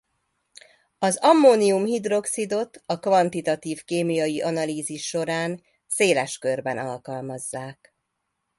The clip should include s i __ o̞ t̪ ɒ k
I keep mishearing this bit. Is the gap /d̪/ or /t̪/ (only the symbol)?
d̪